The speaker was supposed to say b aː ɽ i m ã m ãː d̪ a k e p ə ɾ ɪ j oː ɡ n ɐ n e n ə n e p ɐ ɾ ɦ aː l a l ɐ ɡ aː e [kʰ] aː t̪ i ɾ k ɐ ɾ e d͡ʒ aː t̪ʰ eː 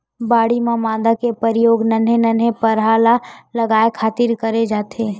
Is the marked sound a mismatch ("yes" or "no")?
no